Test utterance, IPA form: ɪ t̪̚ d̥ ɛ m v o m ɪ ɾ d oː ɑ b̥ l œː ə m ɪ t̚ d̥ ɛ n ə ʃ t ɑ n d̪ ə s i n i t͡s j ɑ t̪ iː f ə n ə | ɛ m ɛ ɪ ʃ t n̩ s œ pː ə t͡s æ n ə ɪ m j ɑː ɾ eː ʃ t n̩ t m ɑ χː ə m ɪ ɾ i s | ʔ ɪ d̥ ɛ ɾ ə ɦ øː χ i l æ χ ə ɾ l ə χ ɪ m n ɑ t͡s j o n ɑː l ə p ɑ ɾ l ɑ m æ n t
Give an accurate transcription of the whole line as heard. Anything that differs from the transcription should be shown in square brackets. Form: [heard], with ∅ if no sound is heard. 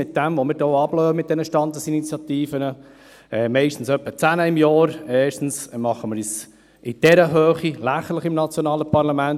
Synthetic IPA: ɪ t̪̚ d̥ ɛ m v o m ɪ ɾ d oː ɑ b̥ l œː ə m ɪ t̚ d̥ ɛ n ə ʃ t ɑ n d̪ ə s i n i t͡s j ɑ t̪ iː f ə n ə | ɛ m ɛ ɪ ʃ t n̩ s œ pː ə t͡s æ n ə ɪ m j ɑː ɾ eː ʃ t n̩ [s] m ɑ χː ə m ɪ ɾ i s | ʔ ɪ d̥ ɛ ɾ ə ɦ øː χ i l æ χ ə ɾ l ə χ ɪ m n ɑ t͡s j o n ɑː l ə p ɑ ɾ l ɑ m æ n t

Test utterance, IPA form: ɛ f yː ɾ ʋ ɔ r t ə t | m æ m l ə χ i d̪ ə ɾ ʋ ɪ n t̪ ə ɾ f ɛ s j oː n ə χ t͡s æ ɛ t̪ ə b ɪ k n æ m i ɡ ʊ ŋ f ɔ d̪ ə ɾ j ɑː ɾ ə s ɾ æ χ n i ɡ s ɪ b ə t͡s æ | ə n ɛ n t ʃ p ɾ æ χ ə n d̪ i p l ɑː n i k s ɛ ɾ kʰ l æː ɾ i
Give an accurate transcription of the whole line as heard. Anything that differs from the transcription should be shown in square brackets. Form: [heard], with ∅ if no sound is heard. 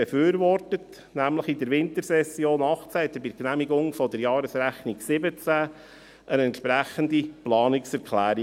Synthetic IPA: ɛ f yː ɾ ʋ ɔ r t ə t | [n] æ m l ə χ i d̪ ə ɾ ʋ ɪ n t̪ ə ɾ [s] ɛ s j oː n [ɑ] χ t͡s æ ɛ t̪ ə b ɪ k n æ m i ɡ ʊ ŋ f ɔ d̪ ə ɾ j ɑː ɾ ə s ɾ æ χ n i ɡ s ɪ b ə t͡s æ | ə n ɛ n t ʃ p ɾ æ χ ə n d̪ i p l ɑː n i k s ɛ ɾ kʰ l æː ɾ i

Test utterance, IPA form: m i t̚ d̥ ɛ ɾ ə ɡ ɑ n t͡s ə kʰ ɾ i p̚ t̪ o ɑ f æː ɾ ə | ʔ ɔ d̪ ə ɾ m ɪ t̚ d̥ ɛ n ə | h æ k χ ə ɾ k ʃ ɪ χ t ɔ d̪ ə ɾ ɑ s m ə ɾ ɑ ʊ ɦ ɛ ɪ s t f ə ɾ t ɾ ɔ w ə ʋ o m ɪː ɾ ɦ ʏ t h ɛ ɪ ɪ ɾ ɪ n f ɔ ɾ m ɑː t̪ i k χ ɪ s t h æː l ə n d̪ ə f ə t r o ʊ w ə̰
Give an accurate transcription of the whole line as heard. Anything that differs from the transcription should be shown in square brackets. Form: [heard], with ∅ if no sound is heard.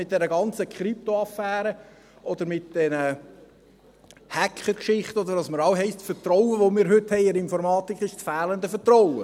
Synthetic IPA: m [ɪ] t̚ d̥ ɛ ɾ ə ɡ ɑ n t͡s ə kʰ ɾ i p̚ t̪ o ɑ f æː ɾ ə | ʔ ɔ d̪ ə ɾ m ɪ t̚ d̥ ɛ n ə | h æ k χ ə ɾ k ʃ ɪ χ t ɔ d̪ ə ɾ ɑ s m ə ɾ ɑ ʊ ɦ ɛ ɪ s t f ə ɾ t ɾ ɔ w ə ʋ o m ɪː ɾ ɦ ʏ t h ɛ ɪ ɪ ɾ ɪ n f ɔ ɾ m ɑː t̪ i k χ ɪ [ʃ] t [f] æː l ə n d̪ ə f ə t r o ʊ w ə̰

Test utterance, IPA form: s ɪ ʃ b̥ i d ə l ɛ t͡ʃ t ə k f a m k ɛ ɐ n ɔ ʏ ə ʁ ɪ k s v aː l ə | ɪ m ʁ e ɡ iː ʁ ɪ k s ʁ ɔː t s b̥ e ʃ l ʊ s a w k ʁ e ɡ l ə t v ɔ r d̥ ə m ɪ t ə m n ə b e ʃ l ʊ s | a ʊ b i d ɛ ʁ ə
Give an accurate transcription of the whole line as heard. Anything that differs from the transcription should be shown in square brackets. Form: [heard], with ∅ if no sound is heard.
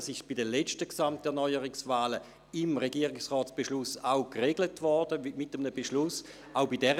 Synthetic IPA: s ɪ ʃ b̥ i d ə l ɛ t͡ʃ t ə k [s] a m [t] ɛ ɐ n ɔ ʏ ə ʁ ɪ k s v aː l ə | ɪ m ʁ e ɡ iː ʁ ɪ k s ʁ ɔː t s b̥ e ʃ l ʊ s a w k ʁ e ɡ l ə t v ɔ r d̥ ə m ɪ t ə m n ə b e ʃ l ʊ s | a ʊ b i d ɛ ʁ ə

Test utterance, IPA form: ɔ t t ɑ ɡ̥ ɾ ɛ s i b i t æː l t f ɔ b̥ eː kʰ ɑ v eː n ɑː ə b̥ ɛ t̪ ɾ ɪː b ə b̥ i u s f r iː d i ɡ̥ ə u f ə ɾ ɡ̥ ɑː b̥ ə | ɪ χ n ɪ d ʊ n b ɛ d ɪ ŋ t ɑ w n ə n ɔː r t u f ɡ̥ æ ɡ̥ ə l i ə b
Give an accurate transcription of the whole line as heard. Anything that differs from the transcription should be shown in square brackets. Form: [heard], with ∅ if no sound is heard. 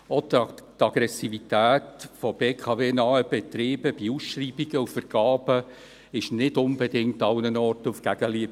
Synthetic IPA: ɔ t t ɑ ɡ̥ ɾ ɛ s i [v] i t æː [∅] t f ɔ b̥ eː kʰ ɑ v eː n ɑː ə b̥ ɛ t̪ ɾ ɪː b ə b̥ i u s [ʃ] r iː [b] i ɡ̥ ə u f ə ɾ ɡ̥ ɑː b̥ ə | ɪ [ʃ] n ɪ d ʊ n b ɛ d ɪ ŋ t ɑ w n ə n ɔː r t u f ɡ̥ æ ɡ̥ ə l i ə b

